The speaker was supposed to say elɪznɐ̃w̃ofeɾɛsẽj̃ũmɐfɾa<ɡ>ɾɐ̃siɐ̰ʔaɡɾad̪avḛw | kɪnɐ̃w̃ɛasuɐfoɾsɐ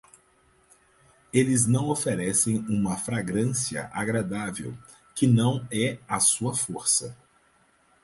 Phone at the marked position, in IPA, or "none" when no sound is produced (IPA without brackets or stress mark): ɡ